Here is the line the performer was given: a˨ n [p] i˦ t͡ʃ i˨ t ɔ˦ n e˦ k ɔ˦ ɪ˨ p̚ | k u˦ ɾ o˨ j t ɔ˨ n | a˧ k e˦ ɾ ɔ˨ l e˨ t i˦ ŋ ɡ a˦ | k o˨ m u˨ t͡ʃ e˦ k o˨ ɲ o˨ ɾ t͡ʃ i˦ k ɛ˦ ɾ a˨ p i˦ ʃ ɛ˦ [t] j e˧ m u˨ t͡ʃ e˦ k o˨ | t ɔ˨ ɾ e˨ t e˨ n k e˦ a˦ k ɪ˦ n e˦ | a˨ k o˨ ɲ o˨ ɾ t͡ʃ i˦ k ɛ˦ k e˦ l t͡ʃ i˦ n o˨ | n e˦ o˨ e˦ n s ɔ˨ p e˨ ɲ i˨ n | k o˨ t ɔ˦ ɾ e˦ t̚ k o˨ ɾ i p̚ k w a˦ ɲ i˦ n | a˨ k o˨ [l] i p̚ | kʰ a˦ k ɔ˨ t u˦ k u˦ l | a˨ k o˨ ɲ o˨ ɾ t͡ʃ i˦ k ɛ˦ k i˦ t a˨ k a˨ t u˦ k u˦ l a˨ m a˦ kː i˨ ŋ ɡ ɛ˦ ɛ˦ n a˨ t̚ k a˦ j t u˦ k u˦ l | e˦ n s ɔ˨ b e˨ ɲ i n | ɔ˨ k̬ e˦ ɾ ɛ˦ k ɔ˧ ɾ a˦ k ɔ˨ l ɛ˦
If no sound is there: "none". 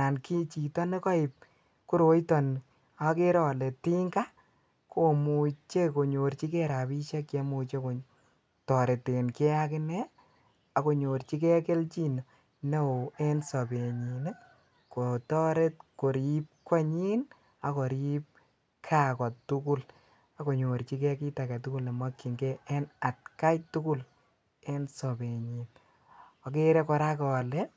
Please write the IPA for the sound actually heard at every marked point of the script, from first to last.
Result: k, k, ɾ

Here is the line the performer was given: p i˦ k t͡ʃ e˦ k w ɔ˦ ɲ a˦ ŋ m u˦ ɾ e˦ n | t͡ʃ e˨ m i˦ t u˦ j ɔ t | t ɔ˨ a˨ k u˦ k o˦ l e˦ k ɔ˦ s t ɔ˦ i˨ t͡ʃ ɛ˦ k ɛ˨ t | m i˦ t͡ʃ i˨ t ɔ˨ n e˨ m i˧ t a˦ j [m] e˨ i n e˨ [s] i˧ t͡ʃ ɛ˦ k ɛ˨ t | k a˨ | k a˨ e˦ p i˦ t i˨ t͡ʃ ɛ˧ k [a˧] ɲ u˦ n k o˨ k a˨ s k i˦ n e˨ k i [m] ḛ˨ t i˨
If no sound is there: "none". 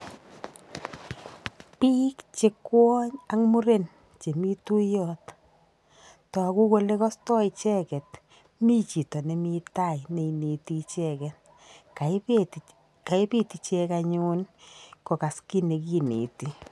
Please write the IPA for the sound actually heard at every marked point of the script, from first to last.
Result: n, t, a˧, n

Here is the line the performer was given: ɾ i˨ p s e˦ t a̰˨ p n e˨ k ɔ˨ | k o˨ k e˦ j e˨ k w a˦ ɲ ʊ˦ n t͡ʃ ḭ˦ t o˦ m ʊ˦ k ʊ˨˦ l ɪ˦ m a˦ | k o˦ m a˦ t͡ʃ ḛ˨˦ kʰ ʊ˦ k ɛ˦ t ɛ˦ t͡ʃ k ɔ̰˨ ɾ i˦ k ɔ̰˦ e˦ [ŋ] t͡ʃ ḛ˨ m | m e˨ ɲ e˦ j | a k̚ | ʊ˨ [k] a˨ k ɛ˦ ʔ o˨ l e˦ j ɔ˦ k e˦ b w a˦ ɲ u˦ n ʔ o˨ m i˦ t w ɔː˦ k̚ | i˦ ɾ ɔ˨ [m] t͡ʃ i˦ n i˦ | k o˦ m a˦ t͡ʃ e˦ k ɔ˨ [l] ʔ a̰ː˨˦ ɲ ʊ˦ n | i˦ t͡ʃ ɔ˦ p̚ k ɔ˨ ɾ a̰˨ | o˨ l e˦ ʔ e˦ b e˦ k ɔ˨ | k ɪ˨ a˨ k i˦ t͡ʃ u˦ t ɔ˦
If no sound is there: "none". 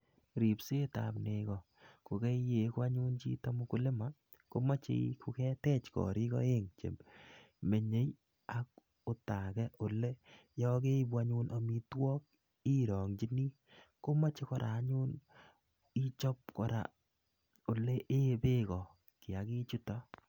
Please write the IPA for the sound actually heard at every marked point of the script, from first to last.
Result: ŋ, t, ŋ, ɾ

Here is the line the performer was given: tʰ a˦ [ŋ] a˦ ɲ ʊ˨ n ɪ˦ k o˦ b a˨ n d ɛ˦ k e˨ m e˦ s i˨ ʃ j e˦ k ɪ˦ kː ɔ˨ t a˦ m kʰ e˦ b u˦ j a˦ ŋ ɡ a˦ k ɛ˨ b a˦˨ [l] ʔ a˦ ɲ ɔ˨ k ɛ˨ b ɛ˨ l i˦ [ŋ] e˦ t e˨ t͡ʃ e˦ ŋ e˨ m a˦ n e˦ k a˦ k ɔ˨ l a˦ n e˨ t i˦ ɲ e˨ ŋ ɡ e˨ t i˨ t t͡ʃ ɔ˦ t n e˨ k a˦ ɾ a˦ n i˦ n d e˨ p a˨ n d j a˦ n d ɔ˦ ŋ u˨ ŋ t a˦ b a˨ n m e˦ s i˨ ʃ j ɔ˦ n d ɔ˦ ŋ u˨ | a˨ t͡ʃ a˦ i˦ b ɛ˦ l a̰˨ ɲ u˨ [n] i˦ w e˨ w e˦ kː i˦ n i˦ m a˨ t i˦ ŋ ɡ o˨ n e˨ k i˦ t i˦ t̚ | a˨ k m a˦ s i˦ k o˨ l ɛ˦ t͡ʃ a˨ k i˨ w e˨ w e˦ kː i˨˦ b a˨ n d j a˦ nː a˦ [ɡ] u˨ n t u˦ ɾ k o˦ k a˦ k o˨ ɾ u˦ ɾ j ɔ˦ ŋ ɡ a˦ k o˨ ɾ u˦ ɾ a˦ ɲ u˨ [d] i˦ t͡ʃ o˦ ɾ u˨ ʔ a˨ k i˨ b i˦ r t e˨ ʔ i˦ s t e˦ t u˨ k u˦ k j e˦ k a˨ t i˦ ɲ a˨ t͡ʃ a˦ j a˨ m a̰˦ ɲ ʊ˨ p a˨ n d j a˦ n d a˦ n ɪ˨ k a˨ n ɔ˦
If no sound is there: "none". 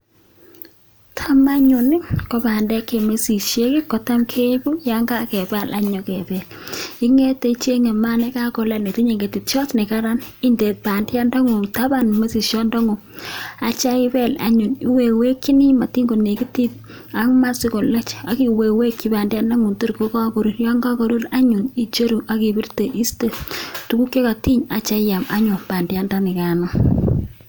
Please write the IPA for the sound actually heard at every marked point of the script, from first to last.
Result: m, l, ŋ, n, ŋ, n

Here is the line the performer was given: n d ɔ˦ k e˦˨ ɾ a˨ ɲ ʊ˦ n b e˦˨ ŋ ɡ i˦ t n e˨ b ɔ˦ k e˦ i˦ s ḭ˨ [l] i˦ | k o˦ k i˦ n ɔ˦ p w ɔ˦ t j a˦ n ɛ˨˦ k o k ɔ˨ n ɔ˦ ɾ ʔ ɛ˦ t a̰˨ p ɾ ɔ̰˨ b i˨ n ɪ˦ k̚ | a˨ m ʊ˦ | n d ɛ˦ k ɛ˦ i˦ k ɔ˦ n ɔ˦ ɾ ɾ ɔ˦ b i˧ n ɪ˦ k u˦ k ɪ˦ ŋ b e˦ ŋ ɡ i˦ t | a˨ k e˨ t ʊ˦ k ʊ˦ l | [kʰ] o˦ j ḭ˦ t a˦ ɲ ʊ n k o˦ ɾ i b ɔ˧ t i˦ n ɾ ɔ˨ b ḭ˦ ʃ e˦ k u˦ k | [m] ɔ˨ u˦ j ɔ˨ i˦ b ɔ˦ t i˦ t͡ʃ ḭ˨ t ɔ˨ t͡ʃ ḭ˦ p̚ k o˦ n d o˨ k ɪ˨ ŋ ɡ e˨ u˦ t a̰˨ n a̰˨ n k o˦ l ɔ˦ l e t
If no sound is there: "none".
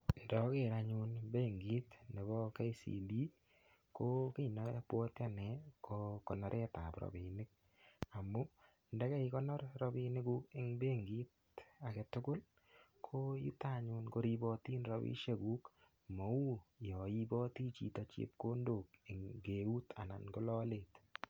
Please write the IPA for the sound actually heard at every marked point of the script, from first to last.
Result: l, kʰ, m

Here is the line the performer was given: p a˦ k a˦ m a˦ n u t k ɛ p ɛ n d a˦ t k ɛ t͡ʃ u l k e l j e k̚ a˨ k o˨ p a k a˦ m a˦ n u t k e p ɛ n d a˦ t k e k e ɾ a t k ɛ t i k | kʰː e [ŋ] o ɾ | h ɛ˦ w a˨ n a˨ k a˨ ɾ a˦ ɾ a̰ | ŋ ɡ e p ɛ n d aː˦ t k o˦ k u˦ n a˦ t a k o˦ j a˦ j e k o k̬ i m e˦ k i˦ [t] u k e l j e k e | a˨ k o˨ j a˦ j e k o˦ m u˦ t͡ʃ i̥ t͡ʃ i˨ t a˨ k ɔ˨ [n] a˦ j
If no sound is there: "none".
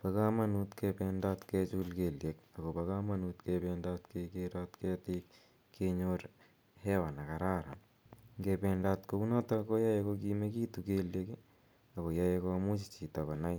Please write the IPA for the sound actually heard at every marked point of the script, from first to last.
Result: ɲ, t, n

